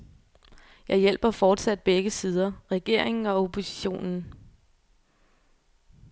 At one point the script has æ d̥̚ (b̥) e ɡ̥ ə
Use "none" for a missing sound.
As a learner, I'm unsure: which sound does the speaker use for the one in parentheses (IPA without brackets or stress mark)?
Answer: b̥